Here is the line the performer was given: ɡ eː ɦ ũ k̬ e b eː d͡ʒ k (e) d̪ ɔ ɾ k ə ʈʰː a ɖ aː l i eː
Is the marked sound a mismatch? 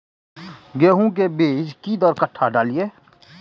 yes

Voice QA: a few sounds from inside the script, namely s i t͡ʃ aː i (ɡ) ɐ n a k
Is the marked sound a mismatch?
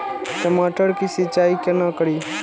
yes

